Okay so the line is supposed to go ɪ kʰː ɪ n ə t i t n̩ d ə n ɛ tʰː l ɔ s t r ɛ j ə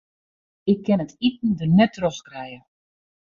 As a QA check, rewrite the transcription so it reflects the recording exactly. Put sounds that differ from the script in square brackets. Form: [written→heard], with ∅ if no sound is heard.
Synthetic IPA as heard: ɪ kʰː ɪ n ə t i t n̩ d ə n ɛ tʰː [l→r] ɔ s [t→k] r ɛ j ə

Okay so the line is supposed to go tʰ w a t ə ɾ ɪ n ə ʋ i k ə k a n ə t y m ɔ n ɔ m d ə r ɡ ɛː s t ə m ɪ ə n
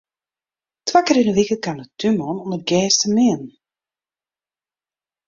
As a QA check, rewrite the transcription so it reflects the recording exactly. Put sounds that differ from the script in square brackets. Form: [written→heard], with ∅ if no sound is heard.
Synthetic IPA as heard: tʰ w a [t→k] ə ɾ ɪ n ə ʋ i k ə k a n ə t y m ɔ n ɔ [m→n] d ə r ɡ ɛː s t ə m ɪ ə n

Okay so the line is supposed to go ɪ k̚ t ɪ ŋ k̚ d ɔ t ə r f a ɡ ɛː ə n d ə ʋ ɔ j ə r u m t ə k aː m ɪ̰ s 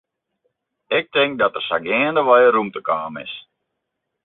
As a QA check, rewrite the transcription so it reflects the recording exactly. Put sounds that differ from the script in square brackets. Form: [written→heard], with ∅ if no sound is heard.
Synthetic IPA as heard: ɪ k̚ t ɪ ŋ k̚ d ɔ t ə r [f→s] a ɡ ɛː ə n d ə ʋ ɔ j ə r u m t ə k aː m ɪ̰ s

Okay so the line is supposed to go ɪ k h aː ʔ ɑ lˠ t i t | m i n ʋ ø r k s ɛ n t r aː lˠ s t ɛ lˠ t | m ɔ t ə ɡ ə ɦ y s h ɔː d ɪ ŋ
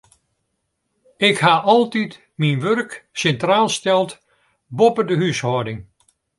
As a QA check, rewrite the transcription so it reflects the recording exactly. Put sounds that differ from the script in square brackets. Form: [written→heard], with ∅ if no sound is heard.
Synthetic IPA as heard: ɪ k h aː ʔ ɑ lˠ t i t | m i n ʋ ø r k s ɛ n t r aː lˠ s t ɛ lˠ t | [m→b] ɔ [t→p] ə [ɡ→d] ə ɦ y s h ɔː d ɪ ŋ

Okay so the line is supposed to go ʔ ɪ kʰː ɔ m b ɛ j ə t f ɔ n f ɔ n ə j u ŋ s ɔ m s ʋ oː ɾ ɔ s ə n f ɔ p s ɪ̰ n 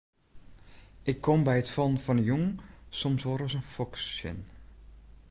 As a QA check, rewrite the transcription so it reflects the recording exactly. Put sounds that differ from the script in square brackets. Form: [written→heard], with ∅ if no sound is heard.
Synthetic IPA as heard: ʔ ɪ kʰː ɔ m b ɛ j ə t f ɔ n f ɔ n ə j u ŋ s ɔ m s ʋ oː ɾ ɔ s ə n f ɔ [p→k] s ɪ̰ n

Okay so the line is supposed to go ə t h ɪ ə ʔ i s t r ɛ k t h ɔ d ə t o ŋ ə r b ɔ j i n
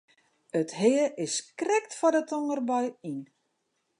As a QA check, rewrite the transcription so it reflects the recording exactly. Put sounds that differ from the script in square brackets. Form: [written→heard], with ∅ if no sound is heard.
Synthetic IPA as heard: ə t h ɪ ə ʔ [i→ɪ] s [t→k] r ɛ k t [h→f] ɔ d ə t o ŋ ə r b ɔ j i n

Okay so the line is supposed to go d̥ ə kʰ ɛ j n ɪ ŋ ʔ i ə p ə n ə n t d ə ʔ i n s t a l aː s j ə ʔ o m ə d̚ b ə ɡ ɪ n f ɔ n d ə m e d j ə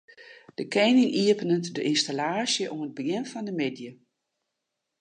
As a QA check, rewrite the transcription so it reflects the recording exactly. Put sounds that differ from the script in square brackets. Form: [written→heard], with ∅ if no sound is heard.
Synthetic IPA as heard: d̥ ə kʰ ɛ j n ɪ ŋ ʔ i ə p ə n ə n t d ə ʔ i n s t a l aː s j ə ʔ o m ə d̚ b ə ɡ ɪ n f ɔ n d ə m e d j ə

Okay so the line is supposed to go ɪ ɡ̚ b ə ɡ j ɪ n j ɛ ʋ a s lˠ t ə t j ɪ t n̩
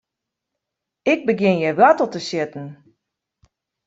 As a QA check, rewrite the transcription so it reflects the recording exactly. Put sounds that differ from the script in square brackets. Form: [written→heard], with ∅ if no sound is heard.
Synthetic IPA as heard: ɪ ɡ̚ b ə ɡ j ɪ n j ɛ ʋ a [s→t] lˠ t ə [t→s] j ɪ t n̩

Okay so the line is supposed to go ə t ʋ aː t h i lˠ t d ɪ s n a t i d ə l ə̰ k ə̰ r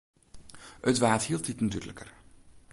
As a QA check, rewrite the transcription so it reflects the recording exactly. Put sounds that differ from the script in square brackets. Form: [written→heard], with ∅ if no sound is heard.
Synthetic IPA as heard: ə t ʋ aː t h i lˠ t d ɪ [s→t] n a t [i→y] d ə l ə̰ k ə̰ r

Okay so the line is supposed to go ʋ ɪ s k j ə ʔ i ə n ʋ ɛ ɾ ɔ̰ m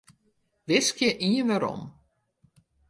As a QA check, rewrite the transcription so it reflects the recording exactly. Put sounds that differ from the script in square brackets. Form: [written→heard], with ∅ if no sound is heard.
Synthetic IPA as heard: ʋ ɪ s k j ə ʔ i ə n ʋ [ɛ→a] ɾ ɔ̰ m

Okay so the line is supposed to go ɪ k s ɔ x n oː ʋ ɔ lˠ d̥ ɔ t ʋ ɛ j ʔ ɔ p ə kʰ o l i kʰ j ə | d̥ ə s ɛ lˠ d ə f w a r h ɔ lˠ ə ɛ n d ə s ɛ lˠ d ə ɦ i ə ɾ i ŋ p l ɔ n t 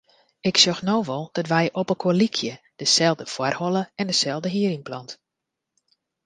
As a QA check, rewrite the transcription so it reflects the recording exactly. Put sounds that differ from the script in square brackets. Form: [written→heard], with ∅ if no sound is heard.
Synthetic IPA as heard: ɪ k s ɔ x n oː ʋ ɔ lˠ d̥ ɔ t ʋ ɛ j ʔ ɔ p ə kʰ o l i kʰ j ə | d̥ ə s ɛ lˠ d ə f w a r h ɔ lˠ ə ɛ n d ə s ɛ lˠ d ə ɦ i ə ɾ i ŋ p l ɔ n t

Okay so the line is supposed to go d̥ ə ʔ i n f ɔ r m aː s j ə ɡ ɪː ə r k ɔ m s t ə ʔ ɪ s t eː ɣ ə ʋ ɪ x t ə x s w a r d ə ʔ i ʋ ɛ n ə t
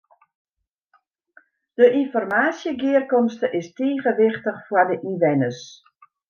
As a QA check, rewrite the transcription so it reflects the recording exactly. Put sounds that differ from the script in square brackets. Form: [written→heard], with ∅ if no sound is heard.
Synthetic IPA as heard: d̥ ə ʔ i n f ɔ r m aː s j ə ɡ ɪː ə r k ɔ m s t ə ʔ ɪ s t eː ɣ ə ʋ ɪ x t ə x [s→f] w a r d ə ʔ i ʋ ɛ n ə [t→s]

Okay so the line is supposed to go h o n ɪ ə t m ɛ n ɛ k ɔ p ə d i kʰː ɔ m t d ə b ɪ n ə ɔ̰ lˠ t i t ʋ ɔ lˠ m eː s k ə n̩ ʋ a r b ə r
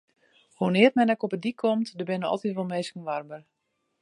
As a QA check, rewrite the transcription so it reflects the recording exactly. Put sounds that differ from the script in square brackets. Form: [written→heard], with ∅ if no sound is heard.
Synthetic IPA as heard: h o n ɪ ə t m ɛ n ɛ k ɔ p ə d i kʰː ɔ m t d ə b ɪ n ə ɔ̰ lˠ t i t ʋ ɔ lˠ m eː s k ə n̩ ʋ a r b ə r

